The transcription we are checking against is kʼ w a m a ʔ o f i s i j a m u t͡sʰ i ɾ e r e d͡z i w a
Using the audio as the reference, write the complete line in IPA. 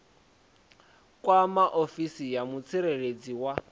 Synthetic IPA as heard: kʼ w a m a ʔ o f i s i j a m u t͡sʰ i ɾ e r e d͡z i w a